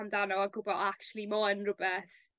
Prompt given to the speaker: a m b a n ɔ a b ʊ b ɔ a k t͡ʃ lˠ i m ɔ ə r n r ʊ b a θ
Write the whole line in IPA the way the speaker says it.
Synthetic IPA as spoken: a m d a n ɔ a ɡ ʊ b ɔ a k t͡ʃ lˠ i m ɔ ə n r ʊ b ɛ θ